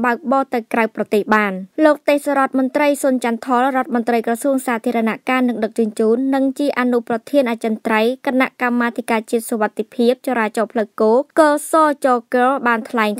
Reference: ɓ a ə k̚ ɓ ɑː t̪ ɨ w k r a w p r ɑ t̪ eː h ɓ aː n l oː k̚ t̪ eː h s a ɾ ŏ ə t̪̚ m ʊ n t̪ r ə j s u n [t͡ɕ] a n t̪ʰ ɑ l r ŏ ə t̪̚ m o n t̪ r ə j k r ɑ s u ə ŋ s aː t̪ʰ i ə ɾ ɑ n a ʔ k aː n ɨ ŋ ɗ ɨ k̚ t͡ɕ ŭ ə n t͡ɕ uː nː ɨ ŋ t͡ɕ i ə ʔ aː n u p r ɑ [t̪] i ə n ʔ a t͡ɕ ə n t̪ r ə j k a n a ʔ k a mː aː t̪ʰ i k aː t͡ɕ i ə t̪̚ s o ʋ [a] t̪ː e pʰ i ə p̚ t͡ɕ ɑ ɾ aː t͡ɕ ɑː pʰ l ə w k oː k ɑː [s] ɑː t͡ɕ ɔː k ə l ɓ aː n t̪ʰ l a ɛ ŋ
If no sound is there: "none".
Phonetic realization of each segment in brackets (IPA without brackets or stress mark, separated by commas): t͡ɕ, t̪ʰ, a, s